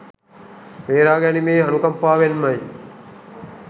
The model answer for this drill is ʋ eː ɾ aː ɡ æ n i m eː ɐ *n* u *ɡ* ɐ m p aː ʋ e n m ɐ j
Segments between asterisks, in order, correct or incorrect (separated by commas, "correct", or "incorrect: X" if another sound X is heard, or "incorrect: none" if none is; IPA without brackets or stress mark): correct, incorrect: k